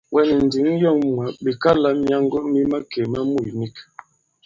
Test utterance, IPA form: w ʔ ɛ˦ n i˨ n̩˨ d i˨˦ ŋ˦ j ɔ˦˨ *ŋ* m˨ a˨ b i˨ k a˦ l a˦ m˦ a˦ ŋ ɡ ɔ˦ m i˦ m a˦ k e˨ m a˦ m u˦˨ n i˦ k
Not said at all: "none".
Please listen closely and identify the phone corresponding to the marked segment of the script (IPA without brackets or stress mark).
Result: ŋ